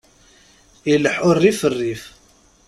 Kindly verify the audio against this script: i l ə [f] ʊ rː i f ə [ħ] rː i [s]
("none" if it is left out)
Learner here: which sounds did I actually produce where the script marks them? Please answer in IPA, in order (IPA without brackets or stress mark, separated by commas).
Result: ħ, none, f